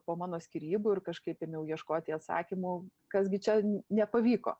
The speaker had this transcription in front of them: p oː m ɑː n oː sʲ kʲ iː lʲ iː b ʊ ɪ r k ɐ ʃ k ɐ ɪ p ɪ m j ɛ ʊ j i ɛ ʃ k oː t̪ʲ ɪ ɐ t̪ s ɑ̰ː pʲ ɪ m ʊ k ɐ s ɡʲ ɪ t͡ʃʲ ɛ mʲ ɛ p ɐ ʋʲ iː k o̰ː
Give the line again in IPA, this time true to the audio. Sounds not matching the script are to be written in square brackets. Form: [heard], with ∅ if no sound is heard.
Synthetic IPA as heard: p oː m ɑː n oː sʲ kʲ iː [ɾʲ] iː b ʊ ɪ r k ɐ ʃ k ɐ ɪ p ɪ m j ɛ ʊ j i ɛ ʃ k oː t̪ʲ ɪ ɐ t̪ s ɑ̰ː [kʲ] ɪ m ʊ k ɐ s ɡʲ ɪ t͡ʃʲ ɛ [nʲ] ɛ p ɐ ʋʲ iː k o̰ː